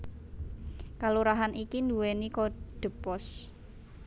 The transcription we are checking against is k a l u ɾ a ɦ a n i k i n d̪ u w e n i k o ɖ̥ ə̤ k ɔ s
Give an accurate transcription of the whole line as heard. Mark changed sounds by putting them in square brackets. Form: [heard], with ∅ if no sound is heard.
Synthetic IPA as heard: k a l u ɾ a ɦ a n i k i n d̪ u w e n i k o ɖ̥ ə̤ [p] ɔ s